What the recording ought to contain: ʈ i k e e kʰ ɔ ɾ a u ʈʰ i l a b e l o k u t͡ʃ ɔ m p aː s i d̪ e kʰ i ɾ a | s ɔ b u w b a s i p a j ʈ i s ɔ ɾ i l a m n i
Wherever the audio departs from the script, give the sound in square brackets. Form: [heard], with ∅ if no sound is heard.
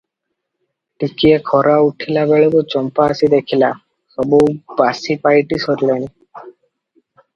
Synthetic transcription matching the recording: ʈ i k [i] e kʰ ɔ ɾ a u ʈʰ i l a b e [ɭ] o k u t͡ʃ ɔ m p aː s i d̪ e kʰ i [l] a | s ɔ b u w b a s i p a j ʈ i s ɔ ɾ i l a [∅] n i